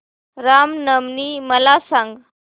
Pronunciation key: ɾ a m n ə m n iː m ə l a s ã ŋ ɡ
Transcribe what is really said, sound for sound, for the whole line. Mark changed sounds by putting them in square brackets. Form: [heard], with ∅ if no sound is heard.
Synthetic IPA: ɾ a m n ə m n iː m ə l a s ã ŋ ɡ